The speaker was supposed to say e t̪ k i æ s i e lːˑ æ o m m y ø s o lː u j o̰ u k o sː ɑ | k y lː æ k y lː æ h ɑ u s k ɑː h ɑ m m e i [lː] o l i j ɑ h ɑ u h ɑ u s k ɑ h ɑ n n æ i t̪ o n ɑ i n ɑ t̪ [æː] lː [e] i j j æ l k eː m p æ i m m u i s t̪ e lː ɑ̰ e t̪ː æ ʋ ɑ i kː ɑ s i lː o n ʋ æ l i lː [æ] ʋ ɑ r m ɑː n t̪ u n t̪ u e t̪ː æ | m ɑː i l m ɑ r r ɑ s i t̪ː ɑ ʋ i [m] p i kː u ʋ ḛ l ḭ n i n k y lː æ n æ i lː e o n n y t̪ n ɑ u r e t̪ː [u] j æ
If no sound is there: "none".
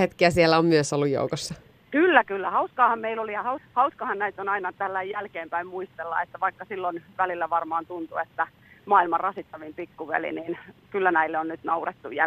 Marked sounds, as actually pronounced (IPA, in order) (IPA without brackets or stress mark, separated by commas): l, æ, æ, æ, m, u